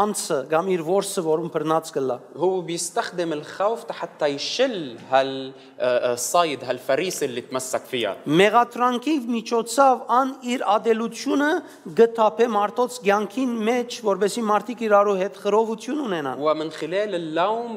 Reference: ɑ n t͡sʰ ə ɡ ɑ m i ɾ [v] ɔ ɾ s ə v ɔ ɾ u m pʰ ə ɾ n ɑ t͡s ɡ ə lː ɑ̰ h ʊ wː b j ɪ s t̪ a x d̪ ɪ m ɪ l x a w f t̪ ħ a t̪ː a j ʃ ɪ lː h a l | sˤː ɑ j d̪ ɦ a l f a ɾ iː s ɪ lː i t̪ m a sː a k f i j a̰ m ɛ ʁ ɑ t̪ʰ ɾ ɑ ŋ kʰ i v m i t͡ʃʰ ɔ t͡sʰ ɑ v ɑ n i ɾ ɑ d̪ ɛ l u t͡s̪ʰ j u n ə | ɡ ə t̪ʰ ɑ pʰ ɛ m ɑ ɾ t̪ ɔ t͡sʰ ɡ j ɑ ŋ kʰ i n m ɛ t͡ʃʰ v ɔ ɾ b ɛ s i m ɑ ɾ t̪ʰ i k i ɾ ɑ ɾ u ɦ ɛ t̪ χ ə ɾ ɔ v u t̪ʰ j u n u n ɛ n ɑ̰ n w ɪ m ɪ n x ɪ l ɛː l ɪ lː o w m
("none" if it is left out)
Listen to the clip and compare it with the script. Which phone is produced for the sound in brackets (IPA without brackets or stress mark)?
v